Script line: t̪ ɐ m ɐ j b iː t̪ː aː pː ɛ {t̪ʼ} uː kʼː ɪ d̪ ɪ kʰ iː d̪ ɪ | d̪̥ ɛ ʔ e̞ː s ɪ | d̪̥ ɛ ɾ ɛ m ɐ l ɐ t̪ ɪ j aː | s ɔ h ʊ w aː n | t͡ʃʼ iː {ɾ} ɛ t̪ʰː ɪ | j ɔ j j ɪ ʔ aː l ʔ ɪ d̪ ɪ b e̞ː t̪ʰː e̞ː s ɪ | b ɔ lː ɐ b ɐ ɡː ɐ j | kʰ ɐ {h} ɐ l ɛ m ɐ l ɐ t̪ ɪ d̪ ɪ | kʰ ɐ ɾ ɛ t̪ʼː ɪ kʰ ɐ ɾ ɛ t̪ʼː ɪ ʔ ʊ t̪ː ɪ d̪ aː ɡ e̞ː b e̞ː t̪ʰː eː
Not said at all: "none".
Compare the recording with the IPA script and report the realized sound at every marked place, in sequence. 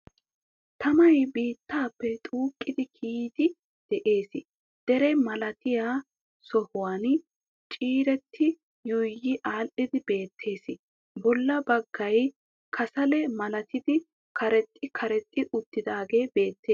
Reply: t̪ʼ, ɾ, s

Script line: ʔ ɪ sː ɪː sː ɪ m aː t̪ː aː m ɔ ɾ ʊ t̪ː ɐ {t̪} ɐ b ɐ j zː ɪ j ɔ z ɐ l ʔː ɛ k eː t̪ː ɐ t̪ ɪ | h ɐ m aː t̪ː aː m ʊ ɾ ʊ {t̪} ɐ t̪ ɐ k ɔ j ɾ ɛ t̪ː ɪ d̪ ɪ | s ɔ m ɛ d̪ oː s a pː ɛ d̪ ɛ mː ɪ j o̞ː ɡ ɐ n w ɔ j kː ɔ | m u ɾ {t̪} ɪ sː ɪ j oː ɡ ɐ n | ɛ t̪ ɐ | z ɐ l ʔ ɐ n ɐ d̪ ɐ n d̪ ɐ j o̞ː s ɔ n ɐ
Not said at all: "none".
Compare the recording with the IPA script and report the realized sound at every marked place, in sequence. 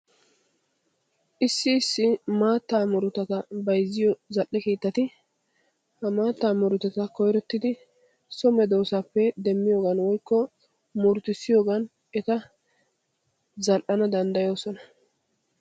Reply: t̪, t̪, t̪

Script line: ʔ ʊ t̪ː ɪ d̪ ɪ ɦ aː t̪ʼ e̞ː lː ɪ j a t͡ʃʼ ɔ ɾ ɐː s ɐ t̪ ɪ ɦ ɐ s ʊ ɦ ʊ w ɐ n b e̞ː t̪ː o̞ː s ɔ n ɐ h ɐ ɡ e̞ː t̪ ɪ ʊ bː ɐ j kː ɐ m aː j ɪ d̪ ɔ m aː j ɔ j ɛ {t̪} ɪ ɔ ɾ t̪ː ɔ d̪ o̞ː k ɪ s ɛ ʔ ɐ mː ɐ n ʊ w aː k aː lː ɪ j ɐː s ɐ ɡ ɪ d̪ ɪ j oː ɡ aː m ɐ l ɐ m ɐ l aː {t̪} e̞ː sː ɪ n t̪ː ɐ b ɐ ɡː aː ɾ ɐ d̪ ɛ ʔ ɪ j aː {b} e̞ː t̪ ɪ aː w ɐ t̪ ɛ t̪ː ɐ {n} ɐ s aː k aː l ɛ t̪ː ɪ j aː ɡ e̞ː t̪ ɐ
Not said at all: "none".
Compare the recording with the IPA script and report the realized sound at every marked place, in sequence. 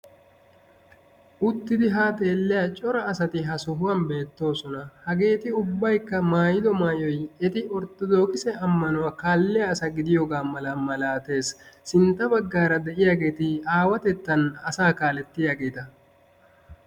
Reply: t̪, t̪, ɡ, n

